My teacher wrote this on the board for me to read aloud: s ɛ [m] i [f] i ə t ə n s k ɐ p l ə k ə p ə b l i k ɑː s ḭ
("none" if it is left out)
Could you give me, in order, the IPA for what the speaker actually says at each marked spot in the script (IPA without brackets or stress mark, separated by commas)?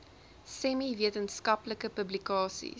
m, v